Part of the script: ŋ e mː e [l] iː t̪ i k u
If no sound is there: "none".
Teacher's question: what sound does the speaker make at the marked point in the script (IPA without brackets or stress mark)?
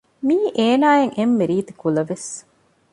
ɾ